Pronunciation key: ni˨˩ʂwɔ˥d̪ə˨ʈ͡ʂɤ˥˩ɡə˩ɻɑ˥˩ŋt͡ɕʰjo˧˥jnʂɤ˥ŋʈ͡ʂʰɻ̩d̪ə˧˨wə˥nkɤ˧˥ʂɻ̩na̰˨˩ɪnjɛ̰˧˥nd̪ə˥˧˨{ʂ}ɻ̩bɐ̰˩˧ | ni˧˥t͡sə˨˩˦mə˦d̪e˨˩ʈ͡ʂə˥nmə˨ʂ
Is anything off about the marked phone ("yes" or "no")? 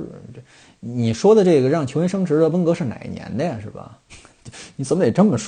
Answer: no